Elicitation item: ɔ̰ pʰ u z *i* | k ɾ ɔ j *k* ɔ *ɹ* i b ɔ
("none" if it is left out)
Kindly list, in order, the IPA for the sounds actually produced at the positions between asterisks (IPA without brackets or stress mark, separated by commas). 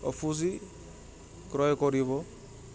i, k, ɾ